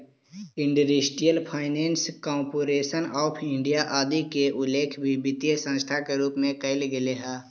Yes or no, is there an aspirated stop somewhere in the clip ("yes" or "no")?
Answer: yes